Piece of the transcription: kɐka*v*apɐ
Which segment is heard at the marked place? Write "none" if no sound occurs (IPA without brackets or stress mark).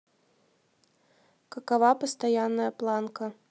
v